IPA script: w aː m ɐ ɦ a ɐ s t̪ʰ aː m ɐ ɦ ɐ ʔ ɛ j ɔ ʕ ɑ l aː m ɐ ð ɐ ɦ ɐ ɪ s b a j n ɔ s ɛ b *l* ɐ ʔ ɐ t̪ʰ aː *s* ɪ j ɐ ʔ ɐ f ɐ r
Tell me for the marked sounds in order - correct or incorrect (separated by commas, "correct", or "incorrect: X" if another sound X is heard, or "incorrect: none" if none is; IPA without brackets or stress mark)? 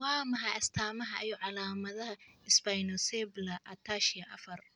correct, incorrect: ʃ